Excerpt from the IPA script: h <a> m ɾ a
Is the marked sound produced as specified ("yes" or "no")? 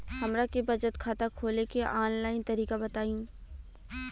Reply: no